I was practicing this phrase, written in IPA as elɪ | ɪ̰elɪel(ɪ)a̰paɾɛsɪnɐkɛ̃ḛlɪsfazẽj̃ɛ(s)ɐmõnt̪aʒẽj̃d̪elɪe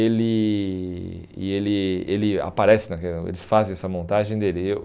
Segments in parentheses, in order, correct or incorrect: correct, correct

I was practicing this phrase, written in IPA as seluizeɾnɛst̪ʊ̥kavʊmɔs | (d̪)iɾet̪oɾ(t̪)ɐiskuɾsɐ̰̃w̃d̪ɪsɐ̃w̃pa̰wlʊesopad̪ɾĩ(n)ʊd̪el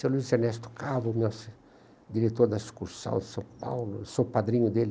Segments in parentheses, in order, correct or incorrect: correct, incorrect, incorrect

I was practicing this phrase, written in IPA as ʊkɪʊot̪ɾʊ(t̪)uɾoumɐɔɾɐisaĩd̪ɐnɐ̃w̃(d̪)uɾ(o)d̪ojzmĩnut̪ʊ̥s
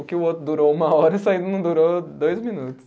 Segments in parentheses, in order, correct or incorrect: incorrect, correct, correct

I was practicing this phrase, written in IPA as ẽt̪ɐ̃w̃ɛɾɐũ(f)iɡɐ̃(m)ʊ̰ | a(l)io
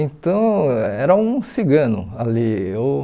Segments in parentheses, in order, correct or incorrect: incorrect, incorrect, correct

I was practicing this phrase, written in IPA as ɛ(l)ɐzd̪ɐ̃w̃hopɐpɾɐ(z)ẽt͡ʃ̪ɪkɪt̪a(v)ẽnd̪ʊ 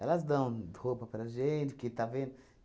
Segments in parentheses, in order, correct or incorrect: correct, incorrect, correct

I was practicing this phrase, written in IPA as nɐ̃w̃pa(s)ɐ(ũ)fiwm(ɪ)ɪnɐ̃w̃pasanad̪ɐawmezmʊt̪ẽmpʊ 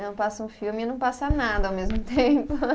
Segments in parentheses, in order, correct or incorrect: correct, correct, correct

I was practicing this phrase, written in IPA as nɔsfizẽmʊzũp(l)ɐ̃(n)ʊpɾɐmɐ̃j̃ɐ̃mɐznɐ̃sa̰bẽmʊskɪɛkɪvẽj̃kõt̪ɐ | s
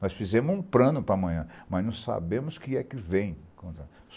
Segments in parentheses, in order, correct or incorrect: incorrect, correct

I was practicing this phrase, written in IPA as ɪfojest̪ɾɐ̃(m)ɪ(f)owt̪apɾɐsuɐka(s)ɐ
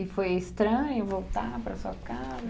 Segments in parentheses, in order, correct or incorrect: incorrect, incorrect, incorrect

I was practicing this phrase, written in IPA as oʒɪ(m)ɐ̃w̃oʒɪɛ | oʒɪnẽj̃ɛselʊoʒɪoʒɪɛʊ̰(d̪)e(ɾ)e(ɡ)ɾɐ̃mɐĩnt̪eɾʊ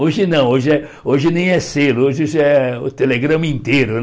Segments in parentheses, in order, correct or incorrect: incorrect, incorrect, incorrect, correct

